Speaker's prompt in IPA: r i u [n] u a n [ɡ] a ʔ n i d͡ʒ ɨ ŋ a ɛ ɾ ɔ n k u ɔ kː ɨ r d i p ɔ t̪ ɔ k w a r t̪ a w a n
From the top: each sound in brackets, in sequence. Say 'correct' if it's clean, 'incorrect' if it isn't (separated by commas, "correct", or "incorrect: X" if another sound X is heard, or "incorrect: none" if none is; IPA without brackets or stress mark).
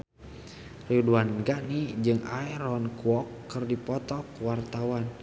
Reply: incorrect: d, correct